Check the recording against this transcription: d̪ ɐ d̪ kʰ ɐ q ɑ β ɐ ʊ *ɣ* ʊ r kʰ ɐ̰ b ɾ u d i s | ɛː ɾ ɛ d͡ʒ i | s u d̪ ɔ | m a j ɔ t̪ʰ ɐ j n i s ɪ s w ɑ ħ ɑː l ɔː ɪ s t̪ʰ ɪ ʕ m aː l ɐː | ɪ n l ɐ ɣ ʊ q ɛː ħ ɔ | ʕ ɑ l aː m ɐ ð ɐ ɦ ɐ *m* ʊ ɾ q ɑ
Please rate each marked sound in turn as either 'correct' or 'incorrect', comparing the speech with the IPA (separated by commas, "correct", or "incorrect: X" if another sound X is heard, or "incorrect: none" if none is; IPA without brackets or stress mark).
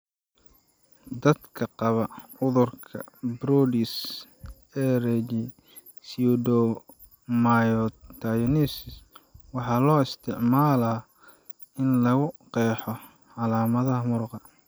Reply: incorrect: ð, correct